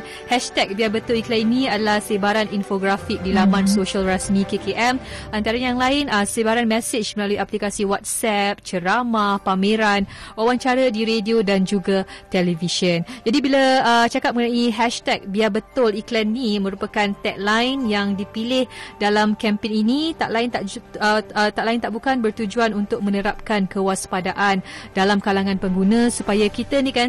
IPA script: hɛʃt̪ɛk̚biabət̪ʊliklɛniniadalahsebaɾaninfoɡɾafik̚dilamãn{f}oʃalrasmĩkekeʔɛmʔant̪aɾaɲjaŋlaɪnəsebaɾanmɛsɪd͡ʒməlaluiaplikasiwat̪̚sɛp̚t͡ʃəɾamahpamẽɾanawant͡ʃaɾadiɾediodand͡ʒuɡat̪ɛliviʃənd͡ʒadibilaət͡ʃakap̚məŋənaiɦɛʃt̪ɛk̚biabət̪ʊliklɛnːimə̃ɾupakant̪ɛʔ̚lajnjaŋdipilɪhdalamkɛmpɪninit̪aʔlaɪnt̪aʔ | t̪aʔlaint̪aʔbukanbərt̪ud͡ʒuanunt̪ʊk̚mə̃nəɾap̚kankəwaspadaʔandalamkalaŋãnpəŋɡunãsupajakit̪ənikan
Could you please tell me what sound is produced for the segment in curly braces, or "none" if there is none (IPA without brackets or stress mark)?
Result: s